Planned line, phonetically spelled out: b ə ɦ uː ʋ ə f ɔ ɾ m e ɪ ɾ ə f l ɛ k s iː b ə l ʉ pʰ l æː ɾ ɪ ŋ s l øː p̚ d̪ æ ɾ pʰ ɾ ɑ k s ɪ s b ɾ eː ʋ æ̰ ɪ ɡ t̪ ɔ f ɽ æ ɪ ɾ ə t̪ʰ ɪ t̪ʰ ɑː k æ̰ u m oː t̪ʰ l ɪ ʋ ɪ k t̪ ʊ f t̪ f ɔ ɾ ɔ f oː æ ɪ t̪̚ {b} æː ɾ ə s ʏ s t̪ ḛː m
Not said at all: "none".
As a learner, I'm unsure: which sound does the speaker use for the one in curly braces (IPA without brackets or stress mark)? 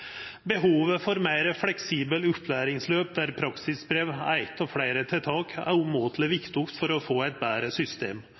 b